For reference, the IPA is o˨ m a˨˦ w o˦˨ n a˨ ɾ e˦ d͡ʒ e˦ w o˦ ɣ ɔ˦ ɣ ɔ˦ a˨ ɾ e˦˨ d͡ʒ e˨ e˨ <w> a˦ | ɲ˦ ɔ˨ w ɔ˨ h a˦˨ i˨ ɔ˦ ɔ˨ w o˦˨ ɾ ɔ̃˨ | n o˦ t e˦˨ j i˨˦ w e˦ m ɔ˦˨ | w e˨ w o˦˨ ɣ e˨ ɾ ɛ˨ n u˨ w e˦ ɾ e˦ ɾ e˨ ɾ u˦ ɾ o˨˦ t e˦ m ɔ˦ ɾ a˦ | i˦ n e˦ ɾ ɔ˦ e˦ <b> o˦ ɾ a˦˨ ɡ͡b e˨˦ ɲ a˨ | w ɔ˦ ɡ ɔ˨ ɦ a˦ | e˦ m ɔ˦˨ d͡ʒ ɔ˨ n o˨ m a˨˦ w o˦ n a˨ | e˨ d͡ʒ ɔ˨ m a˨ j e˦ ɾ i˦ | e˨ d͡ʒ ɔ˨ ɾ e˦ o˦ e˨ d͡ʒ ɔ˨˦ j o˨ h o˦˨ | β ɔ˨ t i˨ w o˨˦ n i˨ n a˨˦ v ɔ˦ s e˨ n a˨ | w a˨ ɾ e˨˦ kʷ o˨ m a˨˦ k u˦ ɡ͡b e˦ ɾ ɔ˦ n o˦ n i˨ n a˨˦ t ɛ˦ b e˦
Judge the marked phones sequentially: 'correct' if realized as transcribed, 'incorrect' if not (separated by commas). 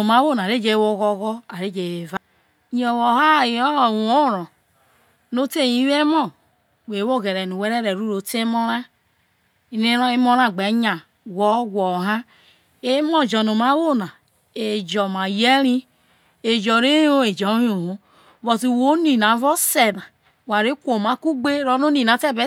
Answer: incorrect, incorrect